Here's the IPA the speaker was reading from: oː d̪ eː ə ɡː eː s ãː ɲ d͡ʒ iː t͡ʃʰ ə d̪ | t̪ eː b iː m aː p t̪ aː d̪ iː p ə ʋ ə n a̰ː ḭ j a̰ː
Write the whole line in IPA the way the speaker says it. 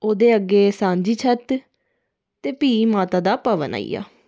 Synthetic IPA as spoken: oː d̪ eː ə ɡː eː s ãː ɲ d͡ʒ iː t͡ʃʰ ə t̪ | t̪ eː p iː m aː t̪ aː d̪ aː p ə ʋ ə n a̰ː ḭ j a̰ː